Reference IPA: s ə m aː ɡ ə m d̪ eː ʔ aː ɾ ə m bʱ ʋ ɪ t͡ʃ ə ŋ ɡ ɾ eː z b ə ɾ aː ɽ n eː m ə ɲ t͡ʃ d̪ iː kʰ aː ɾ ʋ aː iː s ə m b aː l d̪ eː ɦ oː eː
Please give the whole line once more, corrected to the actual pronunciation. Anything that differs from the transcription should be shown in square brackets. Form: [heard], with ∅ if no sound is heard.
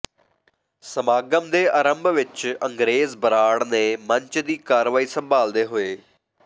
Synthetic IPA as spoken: s ə m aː ɡ ə m d̪ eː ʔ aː ɾ ə m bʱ ʋ ɪ t͡ʃ ə ŋ ɡ ɾ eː z b ə ɾ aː ɽ n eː m ə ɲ t͡ʃ d̪ iː [k] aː ɾ ʋ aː iː s ə m b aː l d̪ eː ɦ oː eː